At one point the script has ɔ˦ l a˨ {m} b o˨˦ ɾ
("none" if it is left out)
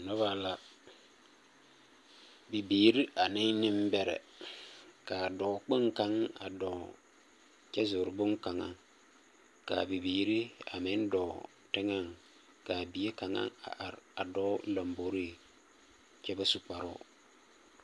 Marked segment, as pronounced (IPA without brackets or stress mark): m